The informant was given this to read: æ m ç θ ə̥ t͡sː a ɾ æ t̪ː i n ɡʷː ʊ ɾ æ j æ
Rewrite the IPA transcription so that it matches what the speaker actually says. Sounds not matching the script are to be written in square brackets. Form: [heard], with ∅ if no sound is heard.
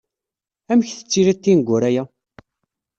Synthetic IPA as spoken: æ m ç θ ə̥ t͡sː [i] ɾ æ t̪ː i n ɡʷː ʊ ɾ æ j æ